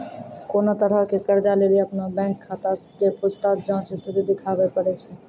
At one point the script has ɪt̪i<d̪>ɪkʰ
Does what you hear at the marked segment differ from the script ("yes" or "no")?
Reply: no